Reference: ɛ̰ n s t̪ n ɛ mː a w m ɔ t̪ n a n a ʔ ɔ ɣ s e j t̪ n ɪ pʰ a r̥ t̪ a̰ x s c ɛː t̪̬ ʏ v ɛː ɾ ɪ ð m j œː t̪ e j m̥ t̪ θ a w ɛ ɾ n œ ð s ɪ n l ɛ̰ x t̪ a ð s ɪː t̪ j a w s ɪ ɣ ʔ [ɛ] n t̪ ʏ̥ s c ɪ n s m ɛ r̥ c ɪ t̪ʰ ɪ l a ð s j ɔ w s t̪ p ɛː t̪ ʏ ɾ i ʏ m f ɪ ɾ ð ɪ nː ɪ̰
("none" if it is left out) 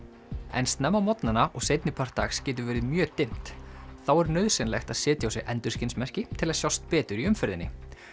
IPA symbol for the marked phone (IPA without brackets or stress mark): ɛ